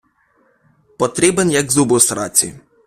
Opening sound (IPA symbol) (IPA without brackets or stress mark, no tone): p